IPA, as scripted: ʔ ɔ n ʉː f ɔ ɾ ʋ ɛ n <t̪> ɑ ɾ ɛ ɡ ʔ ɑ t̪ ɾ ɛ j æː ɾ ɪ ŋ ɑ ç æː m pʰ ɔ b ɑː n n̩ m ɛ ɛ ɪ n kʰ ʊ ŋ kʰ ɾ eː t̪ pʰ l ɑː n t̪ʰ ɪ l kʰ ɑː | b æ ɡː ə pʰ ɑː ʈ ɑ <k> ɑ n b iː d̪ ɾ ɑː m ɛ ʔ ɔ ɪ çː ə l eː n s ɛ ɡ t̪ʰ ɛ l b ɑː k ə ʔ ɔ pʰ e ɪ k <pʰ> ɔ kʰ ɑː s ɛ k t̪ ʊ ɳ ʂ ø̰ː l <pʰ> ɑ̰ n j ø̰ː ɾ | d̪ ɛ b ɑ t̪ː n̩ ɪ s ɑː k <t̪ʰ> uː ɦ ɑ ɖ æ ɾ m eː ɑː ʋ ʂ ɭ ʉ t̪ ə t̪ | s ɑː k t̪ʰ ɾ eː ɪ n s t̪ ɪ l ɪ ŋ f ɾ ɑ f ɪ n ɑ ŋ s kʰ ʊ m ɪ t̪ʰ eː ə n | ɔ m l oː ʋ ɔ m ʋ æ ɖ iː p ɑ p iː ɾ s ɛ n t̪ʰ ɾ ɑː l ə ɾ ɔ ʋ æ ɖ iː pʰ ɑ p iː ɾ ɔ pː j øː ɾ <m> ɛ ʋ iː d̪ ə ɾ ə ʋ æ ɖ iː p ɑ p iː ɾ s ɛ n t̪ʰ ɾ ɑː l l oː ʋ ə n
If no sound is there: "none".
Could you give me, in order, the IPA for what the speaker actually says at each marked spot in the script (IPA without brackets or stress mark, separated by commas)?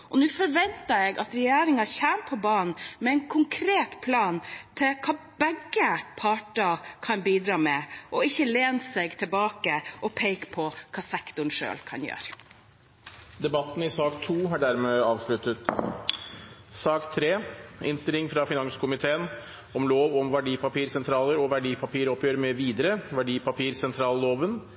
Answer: t̪, kʰ, pʰ, kʰ, t̪ʰ, m